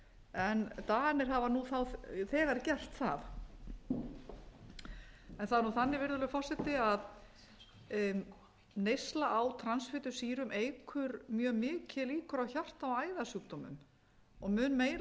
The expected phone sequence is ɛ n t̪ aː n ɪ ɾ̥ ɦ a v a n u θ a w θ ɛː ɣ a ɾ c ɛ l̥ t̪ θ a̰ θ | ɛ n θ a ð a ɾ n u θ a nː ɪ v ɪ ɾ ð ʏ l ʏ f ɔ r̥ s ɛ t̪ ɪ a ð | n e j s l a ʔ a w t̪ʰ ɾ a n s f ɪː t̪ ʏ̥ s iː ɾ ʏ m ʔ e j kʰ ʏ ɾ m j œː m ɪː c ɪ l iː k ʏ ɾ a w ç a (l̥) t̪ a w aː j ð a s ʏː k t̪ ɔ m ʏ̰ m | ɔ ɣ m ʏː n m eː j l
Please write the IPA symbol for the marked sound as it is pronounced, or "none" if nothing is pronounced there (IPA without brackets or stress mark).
r̥